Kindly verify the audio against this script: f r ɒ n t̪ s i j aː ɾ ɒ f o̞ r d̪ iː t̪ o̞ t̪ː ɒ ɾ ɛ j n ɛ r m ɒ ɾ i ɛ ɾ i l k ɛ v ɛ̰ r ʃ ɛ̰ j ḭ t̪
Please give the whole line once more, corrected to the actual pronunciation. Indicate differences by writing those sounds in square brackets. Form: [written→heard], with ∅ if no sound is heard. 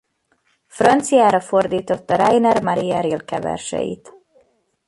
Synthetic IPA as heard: f r ɒ n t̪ s i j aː ɾ ɒ f o̞ r d̪ iː t̪ o̞ t̪ː ɒ ɾ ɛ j n ɛ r m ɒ ɾ i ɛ ɾ i l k ɛ v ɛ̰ r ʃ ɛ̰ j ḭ t̪